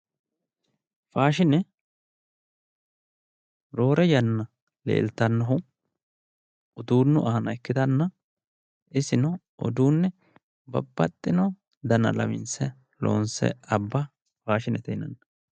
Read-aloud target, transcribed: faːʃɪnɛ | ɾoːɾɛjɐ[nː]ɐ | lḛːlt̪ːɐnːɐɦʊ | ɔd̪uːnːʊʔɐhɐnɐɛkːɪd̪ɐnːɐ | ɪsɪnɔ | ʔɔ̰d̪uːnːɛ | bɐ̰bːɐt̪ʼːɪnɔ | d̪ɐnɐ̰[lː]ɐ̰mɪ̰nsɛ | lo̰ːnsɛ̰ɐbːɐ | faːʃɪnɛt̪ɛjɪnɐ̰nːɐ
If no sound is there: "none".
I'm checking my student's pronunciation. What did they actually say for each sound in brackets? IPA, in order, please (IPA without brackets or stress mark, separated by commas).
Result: nː, l